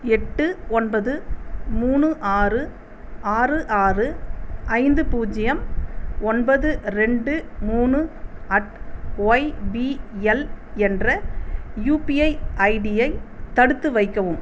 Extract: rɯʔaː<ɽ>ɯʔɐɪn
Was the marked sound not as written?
yes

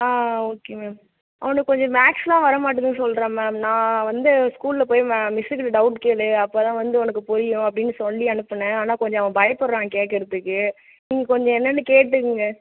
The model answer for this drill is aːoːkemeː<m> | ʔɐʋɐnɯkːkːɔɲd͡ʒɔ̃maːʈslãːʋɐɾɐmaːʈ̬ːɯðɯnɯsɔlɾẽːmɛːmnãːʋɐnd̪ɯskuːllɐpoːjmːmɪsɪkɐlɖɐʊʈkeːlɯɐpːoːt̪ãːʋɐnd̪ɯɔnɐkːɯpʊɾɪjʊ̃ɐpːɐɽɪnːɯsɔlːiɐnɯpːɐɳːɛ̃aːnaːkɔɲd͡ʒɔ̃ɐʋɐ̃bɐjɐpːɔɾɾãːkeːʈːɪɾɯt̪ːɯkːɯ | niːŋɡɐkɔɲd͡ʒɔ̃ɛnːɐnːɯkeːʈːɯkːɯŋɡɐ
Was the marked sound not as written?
no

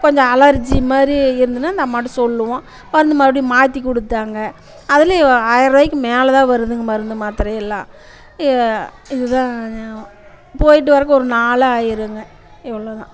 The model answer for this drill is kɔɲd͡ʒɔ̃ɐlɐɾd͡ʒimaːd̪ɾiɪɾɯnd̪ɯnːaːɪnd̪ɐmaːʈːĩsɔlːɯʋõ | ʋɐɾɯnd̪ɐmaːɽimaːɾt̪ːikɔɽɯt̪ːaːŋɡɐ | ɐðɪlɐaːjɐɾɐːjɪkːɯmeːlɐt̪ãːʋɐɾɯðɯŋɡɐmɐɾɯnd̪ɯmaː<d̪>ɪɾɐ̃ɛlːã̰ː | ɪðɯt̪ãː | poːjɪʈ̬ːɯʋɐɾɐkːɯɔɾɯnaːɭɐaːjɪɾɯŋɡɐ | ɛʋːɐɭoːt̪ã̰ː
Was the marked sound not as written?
yes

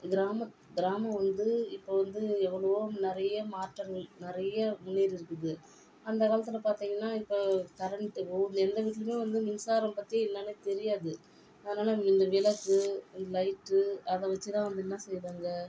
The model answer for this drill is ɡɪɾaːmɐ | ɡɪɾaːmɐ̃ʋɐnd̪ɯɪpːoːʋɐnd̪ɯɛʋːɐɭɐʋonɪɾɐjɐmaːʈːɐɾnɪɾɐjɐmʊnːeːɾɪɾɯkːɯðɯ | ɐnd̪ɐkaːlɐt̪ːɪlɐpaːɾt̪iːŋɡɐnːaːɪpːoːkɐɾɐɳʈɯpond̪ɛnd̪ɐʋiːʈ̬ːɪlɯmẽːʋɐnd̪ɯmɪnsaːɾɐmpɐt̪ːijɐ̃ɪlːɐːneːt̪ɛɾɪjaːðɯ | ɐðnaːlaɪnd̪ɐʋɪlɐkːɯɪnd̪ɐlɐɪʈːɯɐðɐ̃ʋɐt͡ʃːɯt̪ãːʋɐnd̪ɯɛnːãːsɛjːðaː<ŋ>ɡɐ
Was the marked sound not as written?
no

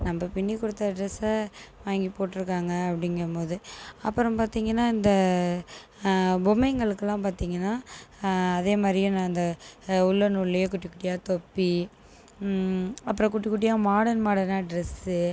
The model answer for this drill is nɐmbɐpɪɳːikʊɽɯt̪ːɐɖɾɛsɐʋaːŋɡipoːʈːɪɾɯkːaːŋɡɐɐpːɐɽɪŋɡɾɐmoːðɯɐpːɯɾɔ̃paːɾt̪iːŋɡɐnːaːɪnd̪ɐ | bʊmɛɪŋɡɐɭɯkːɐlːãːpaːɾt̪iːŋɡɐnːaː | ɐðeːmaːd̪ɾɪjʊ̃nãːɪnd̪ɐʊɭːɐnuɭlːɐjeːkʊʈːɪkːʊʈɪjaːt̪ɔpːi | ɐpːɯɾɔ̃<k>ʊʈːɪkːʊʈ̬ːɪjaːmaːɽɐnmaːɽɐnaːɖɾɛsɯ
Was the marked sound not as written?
no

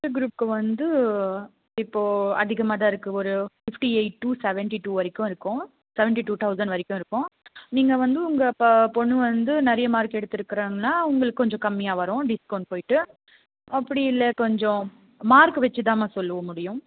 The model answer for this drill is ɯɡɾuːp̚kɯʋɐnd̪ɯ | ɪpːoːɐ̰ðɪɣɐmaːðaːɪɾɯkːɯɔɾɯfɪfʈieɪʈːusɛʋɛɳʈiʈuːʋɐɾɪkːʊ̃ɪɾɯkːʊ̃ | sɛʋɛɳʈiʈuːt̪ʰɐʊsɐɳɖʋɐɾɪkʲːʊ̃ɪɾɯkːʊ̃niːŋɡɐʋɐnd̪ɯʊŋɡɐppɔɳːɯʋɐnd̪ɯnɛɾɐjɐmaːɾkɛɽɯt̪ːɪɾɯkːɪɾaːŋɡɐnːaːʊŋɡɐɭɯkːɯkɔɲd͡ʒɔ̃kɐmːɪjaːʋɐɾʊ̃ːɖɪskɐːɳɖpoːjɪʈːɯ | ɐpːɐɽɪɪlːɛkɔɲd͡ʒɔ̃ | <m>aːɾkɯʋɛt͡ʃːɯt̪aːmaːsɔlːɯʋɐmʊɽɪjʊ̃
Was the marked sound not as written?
no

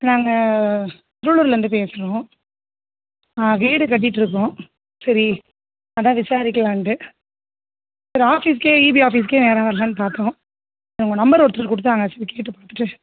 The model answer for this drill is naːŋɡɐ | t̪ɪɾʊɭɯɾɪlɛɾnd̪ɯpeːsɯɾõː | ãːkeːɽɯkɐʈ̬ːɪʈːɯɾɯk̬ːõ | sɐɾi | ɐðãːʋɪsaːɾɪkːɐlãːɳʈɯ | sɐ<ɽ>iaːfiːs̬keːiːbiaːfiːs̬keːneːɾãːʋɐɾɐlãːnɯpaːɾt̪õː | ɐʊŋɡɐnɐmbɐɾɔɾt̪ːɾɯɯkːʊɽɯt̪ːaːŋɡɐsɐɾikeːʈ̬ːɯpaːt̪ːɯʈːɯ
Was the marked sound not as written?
yes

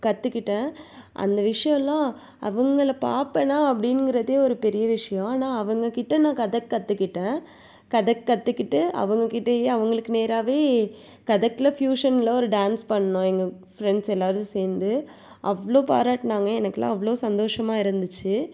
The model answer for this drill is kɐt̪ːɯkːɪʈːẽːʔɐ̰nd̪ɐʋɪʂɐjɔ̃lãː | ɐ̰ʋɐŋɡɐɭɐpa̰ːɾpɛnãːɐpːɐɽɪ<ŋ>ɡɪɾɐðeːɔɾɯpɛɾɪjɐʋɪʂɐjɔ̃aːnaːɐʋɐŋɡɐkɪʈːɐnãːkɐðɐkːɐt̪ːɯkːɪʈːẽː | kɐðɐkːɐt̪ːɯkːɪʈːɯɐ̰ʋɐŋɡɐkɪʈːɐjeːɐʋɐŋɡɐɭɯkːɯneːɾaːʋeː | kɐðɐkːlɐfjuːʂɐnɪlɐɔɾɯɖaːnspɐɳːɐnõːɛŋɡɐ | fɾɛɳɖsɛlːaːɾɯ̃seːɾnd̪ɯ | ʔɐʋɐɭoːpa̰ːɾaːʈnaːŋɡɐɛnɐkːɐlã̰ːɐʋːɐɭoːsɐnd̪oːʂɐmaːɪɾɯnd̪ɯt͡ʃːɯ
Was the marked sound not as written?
yes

